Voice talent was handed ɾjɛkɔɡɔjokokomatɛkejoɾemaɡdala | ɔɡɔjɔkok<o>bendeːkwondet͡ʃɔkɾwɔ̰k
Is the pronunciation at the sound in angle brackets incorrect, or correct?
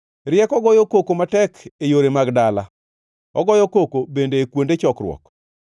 correct